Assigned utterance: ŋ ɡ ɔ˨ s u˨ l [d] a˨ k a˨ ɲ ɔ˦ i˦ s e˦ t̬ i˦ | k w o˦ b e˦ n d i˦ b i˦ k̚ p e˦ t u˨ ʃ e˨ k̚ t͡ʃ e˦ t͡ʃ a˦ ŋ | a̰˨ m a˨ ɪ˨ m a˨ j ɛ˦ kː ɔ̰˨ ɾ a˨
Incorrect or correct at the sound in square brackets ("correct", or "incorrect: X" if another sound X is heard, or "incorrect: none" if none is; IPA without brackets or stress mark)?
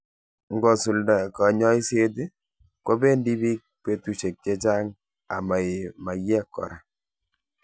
correct